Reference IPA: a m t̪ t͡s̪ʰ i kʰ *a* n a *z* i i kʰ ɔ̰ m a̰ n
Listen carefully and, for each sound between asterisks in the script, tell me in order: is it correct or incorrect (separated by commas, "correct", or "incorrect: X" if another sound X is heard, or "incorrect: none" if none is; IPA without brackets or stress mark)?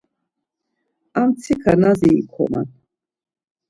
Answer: correct, correct